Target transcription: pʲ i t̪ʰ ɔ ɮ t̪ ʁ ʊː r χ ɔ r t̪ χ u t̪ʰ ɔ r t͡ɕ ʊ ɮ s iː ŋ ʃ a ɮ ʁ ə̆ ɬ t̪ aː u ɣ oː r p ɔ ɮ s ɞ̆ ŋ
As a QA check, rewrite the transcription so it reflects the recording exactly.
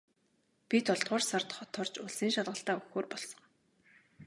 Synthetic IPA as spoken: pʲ i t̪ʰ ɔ ɮ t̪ ʁ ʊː r s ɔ r t̪ χ ɔ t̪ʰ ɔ r t͡ɕ ʊ ɮ s iː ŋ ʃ a ɮ ʁ ə̆ ɬ t̪ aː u x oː r p ɔ ɮ s ɞ̆ ŋ